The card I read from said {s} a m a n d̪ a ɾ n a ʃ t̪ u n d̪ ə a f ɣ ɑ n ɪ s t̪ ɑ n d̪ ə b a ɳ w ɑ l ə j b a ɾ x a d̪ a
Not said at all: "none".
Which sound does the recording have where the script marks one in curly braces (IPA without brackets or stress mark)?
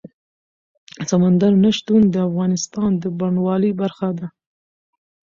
s